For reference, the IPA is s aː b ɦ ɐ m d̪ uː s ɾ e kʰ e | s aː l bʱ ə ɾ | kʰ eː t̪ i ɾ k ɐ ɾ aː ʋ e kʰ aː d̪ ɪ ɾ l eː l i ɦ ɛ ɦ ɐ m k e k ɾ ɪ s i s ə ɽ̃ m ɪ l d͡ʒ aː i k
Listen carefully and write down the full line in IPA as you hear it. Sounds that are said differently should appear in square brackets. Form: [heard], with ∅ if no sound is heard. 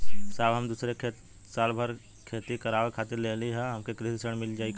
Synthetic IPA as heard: s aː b ɦ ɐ m d̪ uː s ɾ e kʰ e | s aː l bʱ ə ɾ | kʰ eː t̪ i [∅] k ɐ ɾ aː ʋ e kʰ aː [t̪] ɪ ɾ l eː l i ɦ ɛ ɦ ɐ m k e k ɾ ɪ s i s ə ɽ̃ m ɪ l d͡ʒ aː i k